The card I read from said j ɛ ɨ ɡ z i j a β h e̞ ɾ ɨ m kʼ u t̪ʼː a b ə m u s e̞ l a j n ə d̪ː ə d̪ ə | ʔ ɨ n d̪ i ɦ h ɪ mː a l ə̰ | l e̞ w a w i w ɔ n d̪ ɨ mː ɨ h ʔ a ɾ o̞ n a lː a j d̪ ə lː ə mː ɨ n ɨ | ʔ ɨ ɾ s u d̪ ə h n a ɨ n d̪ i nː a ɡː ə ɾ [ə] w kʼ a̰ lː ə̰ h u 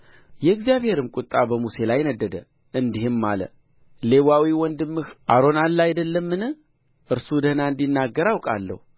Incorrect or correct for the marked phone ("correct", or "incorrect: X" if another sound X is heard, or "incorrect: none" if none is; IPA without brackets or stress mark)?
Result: incorrect: a